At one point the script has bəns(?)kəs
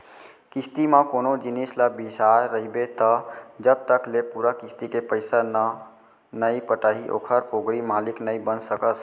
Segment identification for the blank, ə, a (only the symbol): ə